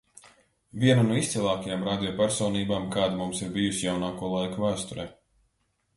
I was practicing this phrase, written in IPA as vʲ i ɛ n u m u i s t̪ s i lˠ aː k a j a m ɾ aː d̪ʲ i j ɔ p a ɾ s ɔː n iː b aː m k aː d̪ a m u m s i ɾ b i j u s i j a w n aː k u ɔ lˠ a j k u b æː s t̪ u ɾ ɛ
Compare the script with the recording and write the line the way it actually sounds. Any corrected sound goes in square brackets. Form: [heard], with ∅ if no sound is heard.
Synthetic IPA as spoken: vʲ i ɛ n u [n] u i s t̪ s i lˠ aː k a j a m ɾ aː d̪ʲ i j ɔ p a ɾ s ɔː n iː b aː m k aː d̪ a m u m s i ɾ b i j u s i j a w n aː k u ɔ lˠ a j k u [v] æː s t̪ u ɾ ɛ

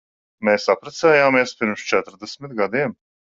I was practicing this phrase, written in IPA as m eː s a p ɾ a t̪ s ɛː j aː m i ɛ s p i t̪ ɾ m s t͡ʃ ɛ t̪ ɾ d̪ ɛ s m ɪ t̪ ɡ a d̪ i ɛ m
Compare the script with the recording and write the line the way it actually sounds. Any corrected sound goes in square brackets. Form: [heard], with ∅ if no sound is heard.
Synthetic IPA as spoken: m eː s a p ɾ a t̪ s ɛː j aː m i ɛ s p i [∅] ɾ m s t͡ʃ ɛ t̪ ɾ d̪ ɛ s m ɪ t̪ ɡ a d̪ i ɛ m

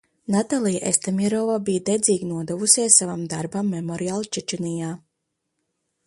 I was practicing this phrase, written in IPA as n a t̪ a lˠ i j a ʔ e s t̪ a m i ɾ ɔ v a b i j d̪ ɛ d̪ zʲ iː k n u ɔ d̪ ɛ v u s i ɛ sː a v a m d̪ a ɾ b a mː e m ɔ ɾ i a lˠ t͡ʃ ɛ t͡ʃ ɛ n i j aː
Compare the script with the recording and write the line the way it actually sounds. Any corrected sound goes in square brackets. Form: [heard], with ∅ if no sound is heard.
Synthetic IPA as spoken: n a t̪ a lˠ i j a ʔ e s t̪ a m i ɾ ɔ v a b i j d̪ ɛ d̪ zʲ iː [ɡ] n u ɔ d̪ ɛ v u s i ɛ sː a v a m d̪ a ɾ b a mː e m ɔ ɾ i a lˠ t͡ʃ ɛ t͡ʃ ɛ n i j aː

